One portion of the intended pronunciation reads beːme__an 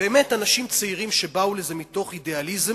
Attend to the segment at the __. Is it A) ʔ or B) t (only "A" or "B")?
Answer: B